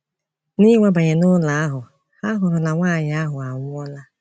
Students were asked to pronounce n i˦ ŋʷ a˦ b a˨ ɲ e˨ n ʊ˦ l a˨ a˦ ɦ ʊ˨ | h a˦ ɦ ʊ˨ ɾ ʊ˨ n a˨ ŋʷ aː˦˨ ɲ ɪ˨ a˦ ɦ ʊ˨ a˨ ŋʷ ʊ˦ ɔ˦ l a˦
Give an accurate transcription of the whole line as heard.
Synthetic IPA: n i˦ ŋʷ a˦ b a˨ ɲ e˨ n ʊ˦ l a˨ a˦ ɦ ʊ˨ | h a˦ ɦ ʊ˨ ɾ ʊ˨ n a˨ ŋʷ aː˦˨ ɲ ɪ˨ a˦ ɦ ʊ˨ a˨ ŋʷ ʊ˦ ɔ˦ l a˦